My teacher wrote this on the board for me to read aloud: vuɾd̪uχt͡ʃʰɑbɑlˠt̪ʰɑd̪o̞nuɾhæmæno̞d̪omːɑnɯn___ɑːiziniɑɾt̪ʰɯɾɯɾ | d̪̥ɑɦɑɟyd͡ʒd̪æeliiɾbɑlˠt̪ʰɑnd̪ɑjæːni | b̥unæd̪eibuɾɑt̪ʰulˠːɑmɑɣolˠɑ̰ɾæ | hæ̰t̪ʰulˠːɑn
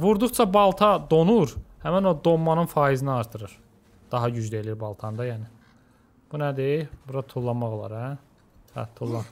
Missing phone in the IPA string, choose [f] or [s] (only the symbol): f